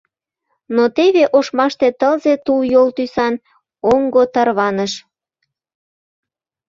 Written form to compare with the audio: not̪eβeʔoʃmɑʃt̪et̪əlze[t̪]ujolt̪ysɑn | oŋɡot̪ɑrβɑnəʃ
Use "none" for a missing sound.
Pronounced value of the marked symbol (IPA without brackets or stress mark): t̪